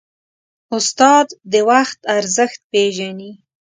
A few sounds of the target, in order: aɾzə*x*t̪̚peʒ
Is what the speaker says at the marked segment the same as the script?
yes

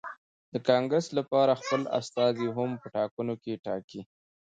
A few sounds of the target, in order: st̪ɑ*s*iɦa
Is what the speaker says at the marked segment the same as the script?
no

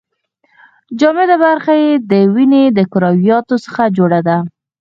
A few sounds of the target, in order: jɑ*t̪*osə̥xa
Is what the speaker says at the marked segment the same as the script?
yes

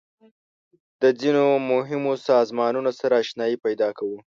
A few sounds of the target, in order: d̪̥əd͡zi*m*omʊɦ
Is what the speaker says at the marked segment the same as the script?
no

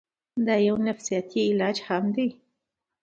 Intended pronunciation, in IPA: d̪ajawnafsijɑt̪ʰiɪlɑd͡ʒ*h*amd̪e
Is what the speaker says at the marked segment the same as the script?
yes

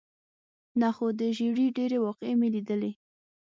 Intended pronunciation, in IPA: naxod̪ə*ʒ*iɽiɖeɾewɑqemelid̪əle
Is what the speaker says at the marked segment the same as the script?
yes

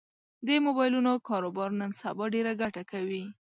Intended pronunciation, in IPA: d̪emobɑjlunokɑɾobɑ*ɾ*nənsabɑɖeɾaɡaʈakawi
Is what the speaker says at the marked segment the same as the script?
yes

